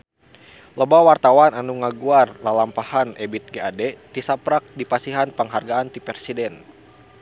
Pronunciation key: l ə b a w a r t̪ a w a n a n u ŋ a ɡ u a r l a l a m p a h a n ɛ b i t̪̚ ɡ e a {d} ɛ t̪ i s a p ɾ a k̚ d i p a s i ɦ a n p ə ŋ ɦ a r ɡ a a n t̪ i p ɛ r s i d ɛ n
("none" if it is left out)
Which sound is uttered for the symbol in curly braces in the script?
d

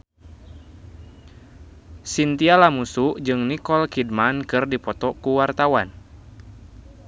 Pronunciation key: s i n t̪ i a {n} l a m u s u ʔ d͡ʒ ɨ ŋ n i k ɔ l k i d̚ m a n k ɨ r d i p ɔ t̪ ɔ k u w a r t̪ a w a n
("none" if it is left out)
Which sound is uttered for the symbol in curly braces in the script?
none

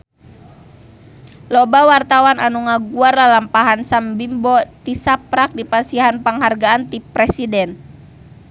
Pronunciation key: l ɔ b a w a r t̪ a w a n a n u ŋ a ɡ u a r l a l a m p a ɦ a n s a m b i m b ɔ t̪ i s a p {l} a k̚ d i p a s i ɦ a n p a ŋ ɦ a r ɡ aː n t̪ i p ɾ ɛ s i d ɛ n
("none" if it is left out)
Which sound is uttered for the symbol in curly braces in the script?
ɾ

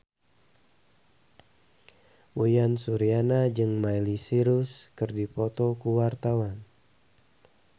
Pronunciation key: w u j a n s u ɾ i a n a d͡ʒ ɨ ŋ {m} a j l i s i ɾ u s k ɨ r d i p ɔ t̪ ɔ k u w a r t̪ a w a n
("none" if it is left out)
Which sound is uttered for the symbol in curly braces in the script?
m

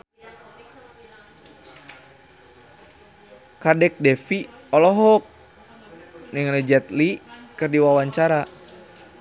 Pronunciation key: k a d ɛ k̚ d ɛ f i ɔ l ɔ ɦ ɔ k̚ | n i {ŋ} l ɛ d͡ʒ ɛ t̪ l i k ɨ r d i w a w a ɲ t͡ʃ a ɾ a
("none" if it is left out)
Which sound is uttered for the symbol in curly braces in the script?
ŋ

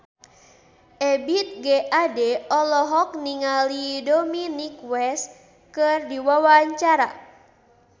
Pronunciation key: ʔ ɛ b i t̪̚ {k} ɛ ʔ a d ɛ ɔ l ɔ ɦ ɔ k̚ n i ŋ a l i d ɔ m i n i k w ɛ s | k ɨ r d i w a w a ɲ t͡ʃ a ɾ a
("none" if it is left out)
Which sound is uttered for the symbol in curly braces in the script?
ɡ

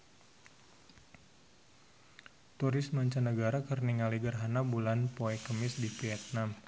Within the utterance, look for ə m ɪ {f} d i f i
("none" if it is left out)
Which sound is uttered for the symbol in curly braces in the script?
s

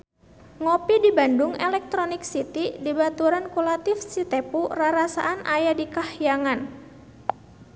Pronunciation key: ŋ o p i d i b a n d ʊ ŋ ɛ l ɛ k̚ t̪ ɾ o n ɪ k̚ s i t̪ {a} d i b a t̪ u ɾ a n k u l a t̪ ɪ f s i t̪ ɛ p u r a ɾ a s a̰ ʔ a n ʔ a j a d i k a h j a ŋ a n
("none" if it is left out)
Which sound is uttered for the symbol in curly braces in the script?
i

